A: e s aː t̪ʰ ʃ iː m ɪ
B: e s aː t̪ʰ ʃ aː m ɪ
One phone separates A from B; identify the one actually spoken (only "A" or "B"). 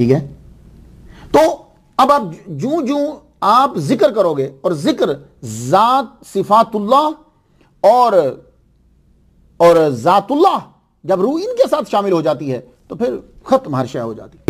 B